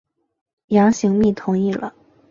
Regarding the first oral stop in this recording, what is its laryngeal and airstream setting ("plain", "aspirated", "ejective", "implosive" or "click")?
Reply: aspirated